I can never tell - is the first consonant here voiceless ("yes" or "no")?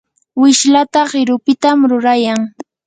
no